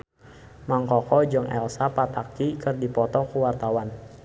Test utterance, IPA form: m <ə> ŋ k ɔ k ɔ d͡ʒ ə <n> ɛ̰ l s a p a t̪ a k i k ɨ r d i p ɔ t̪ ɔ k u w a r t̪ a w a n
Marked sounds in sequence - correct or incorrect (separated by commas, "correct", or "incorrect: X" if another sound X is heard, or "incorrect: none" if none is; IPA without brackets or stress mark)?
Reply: incorrect: a, incorrect: ŋ